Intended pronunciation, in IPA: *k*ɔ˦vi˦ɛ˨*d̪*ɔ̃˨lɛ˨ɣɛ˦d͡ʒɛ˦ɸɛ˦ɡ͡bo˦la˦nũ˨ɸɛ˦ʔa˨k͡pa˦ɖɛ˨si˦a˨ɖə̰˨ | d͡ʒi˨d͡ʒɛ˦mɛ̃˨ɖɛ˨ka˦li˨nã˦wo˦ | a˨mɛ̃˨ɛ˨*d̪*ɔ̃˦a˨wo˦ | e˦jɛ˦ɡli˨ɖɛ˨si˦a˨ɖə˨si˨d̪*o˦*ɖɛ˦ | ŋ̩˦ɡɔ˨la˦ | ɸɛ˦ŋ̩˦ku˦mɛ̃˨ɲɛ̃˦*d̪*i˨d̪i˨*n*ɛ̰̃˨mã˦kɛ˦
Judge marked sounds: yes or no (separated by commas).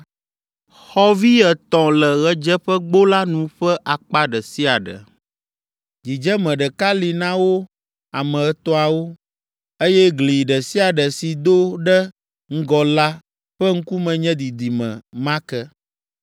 no, no, no, yes, yes, no